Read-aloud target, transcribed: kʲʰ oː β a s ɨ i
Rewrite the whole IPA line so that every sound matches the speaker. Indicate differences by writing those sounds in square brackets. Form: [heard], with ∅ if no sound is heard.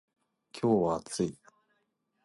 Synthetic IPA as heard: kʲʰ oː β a [t͡s] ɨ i